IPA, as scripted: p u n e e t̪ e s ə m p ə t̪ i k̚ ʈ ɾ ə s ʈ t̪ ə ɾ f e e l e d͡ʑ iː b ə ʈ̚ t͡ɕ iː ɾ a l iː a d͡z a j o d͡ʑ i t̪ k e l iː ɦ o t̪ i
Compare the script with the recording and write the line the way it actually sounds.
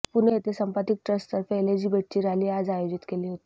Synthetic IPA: p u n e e t̪ e s ə m p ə t̪ i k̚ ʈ ɾ ə s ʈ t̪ ə ɾ f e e l e d͡ʑ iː b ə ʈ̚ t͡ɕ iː ɾ a l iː a d͡z a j o d͡ʑ i t̪ k e l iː ɦ o t̪ i